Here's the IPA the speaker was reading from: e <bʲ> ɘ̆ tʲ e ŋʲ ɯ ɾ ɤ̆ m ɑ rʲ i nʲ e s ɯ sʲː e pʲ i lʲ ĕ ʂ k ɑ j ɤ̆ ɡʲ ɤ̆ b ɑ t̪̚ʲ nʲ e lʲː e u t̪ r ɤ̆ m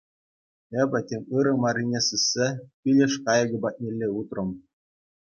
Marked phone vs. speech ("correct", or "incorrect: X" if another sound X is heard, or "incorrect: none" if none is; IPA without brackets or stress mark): correct